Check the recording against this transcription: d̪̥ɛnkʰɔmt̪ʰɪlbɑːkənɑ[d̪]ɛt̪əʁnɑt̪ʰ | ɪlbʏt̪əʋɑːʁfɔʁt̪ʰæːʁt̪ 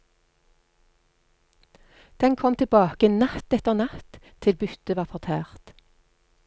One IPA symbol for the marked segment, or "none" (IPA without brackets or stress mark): t̪